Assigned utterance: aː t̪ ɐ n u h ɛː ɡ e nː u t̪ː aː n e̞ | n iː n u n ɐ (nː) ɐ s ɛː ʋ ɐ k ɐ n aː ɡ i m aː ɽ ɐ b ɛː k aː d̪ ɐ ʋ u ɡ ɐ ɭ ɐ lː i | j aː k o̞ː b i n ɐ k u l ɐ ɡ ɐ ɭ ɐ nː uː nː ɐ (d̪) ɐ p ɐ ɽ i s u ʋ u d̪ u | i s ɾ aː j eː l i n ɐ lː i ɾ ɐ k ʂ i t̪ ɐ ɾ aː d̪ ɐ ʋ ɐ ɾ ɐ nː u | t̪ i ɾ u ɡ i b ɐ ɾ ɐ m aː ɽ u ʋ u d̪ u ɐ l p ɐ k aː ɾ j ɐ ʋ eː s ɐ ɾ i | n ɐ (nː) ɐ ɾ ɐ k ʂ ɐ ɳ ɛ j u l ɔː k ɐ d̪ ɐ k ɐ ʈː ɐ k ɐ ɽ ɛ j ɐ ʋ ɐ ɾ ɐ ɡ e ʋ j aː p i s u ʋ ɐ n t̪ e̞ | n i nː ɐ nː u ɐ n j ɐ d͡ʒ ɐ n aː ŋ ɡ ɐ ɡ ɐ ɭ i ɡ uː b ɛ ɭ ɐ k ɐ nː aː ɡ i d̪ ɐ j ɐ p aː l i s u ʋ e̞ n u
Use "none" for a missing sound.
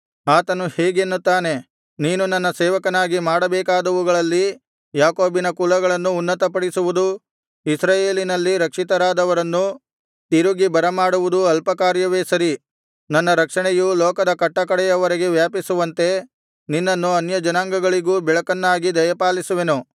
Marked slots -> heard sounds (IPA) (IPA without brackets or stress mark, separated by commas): nː, t̪, nː